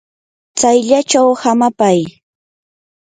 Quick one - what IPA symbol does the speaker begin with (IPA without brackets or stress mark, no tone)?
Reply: t͡s